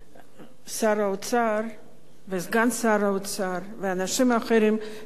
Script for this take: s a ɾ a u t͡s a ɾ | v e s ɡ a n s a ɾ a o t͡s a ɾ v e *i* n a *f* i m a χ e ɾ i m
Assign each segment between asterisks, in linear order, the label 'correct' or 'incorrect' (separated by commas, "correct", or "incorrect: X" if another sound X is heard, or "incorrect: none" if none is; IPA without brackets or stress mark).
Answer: incorrect: a, incorrect: ʃ